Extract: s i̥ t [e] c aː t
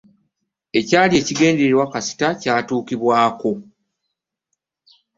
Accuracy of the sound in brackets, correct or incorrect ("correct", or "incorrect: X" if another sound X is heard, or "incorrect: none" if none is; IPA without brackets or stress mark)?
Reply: incorrect: a